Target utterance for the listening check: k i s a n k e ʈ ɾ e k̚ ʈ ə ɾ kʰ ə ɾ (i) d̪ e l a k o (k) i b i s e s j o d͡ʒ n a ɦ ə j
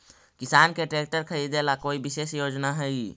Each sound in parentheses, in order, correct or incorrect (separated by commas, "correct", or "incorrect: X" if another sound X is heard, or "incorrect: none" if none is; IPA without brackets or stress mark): correct, incorrect: none